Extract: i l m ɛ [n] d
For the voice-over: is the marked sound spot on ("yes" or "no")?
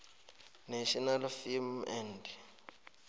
yes